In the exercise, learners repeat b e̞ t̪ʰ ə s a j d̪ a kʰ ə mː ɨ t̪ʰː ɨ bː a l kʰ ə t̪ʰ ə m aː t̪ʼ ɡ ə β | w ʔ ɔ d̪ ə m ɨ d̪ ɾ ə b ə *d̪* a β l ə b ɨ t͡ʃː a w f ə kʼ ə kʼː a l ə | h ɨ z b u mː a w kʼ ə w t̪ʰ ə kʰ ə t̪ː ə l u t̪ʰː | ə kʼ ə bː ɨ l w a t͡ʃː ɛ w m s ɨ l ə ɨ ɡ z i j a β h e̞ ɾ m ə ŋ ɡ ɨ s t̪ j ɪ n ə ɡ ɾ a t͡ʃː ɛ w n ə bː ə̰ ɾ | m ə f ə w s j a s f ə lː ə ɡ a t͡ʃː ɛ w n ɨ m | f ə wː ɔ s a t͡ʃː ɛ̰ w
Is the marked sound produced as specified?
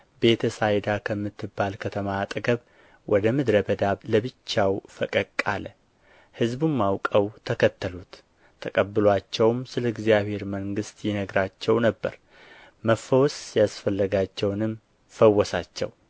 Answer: yes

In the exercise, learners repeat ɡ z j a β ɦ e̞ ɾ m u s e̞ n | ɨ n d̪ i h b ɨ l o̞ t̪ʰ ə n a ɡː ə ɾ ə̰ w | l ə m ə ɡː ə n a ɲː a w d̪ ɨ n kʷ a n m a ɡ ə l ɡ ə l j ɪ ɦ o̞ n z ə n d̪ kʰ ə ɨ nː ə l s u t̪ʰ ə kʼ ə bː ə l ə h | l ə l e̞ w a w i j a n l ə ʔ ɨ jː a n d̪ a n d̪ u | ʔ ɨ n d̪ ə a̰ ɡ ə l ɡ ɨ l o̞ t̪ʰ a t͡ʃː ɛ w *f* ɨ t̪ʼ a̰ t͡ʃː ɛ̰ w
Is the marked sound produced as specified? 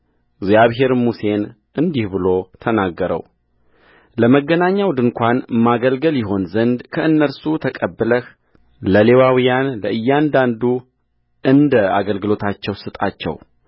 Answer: no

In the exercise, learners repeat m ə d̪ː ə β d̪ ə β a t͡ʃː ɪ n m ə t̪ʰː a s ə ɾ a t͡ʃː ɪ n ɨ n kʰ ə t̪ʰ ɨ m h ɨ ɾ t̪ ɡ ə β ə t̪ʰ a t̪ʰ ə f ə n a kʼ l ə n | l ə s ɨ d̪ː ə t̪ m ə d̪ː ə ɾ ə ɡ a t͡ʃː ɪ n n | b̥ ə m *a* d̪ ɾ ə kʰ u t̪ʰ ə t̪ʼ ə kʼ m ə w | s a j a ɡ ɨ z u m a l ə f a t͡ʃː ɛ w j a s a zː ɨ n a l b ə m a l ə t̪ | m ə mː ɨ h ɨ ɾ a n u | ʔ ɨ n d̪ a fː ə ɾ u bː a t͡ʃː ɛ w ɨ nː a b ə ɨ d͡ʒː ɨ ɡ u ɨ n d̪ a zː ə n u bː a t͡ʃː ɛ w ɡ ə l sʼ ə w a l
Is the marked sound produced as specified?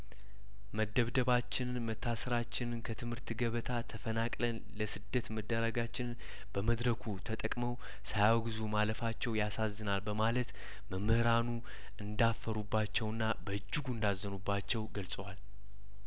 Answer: no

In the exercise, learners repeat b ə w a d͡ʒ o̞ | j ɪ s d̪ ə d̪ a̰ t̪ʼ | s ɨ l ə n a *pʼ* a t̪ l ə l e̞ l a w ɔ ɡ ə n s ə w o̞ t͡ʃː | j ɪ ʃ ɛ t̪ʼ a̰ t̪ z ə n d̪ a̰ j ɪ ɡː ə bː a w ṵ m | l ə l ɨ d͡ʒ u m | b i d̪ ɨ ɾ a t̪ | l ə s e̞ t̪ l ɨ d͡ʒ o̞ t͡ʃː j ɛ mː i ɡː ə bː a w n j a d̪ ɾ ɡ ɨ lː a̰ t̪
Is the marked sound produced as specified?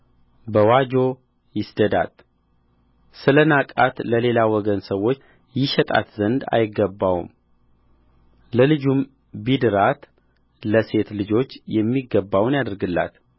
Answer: no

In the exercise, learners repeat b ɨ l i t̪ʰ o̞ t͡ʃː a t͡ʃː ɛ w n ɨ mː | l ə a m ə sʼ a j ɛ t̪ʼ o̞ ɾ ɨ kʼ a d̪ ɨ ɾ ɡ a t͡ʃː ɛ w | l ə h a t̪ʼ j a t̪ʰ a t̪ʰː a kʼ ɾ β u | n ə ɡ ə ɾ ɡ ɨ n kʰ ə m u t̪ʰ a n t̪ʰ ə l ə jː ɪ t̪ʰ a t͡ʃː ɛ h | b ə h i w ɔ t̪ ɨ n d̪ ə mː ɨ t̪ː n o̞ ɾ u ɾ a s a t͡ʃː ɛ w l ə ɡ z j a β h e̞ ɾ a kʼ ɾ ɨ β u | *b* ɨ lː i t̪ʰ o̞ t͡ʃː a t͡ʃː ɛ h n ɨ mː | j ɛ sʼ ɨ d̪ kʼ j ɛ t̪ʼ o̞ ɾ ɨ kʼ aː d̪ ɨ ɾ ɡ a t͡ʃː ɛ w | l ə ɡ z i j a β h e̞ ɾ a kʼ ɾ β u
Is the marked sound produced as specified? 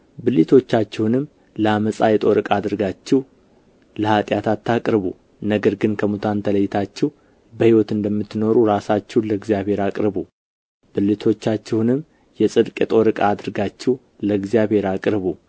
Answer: yes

